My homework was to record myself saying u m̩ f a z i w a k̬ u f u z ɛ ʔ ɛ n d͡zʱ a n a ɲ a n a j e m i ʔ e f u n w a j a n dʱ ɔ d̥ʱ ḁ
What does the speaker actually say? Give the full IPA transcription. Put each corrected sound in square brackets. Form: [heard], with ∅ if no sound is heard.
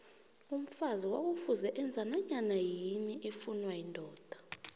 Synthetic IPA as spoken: u m̩ f a z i w a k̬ u f u z ɛ ʔ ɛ n d͡zʱ a n a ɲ a n a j [i] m i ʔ e f u n w a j [i] n dʱ [ɔː] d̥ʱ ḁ